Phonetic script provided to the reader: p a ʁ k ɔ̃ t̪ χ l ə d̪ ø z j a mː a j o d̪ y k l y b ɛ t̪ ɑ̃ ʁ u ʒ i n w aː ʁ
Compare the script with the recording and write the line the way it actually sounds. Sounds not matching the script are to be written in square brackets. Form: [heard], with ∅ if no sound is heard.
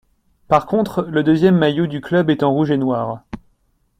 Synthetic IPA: p a ʁ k ɔ̃ t̪ χ l ə d̪ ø z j [ɛ] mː a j o d̪ y k l [œ] b ɛ t̪ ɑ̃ ʁ u ʒ [e] n w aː ʁ

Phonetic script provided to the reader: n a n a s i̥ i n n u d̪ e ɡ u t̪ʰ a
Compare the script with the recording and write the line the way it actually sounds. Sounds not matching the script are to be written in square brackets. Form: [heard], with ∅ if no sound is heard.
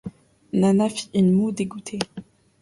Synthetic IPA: n a n a [f] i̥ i n [m] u d̪ e ɡ u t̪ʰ [e]

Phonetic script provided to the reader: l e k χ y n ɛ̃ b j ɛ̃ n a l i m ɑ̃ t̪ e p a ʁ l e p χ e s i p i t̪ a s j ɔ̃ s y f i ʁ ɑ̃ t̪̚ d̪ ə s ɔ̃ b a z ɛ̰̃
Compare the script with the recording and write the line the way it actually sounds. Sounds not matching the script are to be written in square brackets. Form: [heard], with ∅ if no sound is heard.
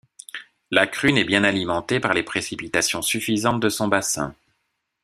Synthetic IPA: l [a] k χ y n [ɛ] b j ɛ̃ n a l i m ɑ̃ t̪ e p a ʁ l e p χ e s i p i t̪ a s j ɔ̃ s y f i [z] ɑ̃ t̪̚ d̪ ə s ɔ̃ b a [s] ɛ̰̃

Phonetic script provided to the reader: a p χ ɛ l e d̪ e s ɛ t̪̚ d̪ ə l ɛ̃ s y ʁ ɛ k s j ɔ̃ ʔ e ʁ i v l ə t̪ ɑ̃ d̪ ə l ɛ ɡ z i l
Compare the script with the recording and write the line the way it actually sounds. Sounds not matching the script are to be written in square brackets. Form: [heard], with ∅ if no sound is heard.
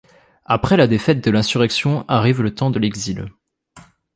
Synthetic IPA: a p χ ɛ l [a] d̪ e [f] ɛ t̪̚ d̪ ə l ɛ̃ s y ʁ ɛ k s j ɔ̃ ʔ [a] ʁ i v l ə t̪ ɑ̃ d̪ ə l ɛ ɡ z i l

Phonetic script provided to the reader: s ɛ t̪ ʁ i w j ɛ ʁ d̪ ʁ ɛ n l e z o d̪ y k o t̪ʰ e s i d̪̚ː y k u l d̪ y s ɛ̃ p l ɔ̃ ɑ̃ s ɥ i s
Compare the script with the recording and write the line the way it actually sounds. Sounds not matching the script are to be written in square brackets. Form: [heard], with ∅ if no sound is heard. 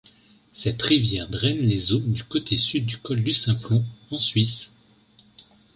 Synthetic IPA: s ɛ t̪ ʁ i [v] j ɛ ʁ d̪ ʁ ɛ n l e z o d̪ y k o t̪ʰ e s [y] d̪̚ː y k [ɔ] l d̪ y s ɛ̃ p l ɔ̃ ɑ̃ s ɥ i s

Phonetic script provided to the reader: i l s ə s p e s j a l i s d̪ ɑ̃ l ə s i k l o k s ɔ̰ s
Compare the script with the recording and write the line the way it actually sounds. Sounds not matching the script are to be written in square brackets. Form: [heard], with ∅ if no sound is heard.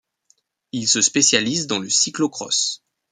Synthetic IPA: i l s ə s p e s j a l i [z] d̪ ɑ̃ l ə s i k l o k [χ] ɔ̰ s

